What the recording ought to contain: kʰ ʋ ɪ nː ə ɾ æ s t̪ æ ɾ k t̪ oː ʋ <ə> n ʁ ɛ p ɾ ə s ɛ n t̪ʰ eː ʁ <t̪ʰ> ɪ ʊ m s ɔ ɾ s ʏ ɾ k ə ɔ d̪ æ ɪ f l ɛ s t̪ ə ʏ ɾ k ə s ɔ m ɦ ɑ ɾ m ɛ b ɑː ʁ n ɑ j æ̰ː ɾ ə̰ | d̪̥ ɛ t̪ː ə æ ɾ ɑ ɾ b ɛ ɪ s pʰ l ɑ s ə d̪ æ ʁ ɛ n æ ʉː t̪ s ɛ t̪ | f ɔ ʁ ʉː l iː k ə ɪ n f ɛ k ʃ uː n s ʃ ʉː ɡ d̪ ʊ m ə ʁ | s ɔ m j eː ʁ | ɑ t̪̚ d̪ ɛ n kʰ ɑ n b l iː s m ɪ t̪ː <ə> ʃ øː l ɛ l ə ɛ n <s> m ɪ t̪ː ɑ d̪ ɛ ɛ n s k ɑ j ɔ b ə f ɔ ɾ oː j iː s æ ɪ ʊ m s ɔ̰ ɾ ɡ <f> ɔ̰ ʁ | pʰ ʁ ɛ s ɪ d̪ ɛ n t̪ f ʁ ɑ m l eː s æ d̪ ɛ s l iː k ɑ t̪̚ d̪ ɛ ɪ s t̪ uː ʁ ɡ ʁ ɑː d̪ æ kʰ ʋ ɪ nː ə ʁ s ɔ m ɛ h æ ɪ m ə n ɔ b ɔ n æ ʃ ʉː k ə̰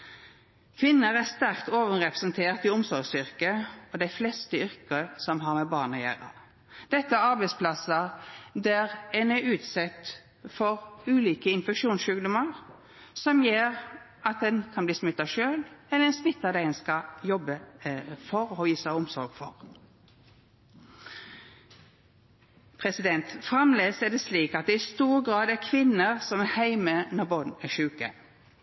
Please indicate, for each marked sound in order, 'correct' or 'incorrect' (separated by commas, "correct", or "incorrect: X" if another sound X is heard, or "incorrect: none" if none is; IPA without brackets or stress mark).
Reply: correct, incorrect: t̪, incorrect: ɑ, correct, correct